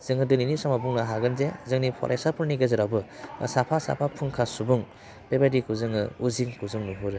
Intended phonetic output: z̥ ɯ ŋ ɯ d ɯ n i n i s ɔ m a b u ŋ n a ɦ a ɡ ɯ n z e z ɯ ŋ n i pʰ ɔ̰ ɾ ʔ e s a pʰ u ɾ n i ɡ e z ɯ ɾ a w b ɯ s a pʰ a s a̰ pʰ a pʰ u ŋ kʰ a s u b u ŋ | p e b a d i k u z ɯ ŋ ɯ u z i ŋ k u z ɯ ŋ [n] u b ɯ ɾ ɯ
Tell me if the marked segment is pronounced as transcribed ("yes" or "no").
yes